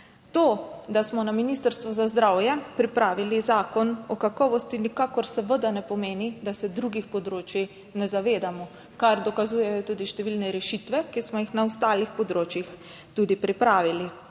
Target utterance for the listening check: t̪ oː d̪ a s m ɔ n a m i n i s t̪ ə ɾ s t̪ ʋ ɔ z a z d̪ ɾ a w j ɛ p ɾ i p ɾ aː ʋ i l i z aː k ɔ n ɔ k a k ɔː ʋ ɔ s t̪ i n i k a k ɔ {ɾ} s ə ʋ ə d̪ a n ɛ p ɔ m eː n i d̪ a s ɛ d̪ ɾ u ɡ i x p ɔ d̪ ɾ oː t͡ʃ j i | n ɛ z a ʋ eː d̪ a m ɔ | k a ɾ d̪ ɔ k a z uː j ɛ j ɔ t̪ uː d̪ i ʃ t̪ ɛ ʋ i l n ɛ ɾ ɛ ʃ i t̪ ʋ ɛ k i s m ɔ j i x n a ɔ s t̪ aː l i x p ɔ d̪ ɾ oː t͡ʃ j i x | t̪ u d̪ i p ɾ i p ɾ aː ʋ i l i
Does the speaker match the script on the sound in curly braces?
yes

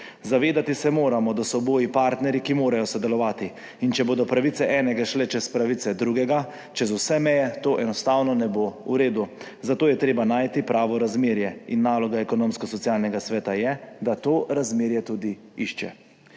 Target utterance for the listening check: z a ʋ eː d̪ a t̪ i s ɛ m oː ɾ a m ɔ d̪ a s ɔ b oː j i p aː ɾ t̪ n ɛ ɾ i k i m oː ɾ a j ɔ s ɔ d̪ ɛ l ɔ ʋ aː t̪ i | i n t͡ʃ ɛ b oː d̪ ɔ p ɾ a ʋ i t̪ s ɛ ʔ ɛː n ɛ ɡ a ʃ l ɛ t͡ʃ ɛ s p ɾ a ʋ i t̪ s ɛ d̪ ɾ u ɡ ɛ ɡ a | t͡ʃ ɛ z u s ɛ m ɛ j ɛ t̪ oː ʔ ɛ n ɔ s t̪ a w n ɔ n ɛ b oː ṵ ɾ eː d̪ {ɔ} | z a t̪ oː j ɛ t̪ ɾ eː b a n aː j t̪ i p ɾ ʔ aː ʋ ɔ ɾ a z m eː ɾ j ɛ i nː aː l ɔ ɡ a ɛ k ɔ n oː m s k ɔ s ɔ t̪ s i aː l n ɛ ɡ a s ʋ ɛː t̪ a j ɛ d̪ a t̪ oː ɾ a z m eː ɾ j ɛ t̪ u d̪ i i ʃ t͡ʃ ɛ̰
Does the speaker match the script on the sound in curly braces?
no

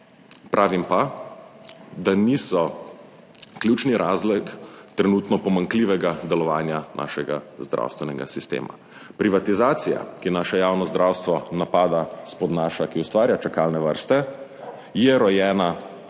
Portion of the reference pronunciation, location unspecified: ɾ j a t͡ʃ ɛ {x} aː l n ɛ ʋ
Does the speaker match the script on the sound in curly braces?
no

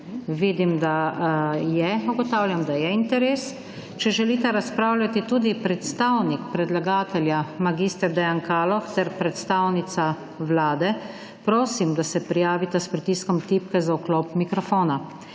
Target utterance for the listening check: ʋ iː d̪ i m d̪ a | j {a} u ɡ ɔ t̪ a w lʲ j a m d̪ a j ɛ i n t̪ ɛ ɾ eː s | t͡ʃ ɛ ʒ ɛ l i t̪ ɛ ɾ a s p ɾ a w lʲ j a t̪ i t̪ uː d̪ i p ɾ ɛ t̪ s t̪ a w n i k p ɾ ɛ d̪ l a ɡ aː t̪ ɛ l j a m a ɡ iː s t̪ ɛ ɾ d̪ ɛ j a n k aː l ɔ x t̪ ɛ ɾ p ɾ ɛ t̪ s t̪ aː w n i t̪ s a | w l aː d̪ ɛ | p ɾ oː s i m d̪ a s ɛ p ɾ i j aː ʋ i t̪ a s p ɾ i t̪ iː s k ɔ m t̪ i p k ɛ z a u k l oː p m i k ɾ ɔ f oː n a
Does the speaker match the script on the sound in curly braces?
no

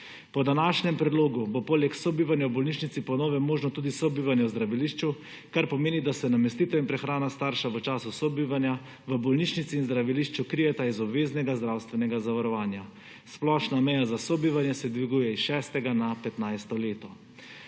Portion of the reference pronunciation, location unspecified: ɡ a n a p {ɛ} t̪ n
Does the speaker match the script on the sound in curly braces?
yes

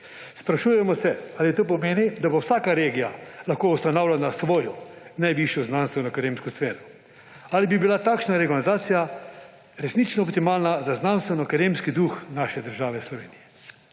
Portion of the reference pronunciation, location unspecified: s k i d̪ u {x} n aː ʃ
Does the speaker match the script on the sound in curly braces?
yes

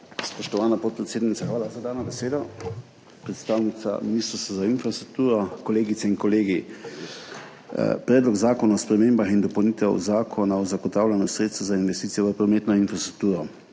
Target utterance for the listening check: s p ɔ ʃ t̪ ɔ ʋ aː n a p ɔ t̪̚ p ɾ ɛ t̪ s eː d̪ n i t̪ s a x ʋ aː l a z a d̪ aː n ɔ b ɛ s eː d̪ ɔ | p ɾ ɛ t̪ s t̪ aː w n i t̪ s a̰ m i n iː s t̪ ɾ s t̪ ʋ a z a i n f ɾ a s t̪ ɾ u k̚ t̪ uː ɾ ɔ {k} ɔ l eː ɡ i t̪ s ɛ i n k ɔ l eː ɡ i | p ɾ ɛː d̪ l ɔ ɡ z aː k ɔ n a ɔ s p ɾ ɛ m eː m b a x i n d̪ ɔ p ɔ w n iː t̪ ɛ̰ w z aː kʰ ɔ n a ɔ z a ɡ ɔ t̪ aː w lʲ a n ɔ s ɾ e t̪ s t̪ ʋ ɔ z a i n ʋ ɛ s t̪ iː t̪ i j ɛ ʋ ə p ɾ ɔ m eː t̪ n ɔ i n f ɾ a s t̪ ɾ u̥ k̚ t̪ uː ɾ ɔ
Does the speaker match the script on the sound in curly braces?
yes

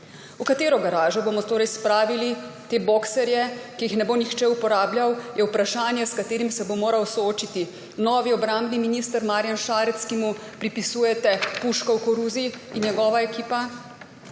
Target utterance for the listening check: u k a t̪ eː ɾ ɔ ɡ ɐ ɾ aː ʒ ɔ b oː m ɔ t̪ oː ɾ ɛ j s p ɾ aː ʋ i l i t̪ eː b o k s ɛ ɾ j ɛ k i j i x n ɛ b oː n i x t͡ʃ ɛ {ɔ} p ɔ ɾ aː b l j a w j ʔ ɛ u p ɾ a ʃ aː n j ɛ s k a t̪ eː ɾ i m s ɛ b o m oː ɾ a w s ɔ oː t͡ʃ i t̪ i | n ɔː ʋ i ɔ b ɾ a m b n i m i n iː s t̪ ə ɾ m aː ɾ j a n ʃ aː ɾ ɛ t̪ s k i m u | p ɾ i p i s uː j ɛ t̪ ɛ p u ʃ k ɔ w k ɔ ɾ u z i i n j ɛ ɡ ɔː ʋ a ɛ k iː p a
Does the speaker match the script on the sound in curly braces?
no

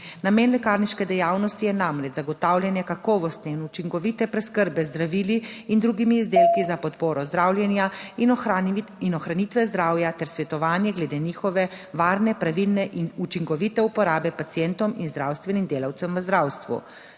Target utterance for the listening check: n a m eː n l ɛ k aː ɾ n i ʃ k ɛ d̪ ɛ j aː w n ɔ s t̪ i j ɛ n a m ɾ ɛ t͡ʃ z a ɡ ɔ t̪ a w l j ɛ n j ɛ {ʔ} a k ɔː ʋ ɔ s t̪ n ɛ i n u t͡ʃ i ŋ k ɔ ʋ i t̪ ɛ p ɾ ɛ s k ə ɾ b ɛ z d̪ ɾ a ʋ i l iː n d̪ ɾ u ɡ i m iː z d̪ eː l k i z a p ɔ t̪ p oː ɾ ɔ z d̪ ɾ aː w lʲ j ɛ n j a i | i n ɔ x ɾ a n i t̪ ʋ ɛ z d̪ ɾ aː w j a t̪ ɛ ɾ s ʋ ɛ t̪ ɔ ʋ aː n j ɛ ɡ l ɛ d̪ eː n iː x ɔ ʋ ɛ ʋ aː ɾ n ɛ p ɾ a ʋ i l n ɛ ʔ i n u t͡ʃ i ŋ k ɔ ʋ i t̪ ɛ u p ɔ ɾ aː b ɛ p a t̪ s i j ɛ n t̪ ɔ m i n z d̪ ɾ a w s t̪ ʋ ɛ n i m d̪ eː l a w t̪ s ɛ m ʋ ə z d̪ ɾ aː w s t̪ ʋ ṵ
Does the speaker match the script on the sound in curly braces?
no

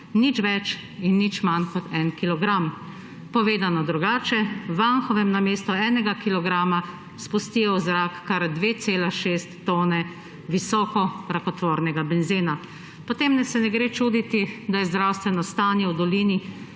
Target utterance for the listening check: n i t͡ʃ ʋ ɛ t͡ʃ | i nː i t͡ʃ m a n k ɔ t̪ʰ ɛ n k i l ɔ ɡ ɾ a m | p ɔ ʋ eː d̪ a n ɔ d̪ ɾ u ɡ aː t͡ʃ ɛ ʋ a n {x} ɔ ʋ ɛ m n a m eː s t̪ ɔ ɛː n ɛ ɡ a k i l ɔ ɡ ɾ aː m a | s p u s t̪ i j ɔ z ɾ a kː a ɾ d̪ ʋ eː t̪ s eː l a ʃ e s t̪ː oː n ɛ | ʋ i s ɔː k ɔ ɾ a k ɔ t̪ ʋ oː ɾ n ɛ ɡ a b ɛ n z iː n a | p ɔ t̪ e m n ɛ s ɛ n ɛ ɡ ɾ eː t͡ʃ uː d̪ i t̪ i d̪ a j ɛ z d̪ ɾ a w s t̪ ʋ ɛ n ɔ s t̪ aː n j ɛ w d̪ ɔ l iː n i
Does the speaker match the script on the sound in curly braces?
yes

